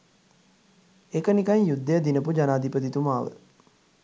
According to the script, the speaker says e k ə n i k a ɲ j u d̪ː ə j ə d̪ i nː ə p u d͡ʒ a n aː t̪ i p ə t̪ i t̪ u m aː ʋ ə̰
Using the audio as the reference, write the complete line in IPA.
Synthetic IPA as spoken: e k ə n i k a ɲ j u d̪ː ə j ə d̪ i n ə p u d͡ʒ a n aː d̪ i p ə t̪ i t̪ u m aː ʋ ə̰